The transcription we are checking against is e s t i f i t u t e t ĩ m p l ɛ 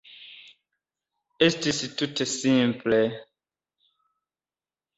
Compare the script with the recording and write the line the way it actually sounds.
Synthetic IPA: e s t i s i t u t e s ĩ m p l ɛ